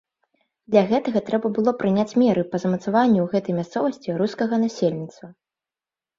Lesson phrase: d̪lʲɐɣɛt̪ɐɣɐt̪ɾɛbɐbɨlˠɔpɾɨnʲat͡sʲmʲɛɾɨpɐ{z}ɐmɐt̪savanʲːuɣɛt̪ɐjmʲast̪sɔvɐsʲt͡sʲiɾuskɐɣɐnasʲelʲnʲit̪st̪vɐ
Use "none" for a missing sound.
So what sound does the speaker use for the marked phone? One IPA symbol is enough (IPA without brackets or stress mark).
z